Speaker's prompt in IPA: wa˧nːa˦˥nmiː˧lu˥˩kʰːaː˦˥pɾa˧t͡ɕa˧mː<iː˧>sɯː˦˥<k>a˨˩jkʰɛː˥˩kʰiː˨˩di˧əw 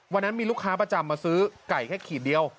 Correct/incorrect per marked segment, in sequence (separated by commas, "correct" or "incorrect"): incorrect, correct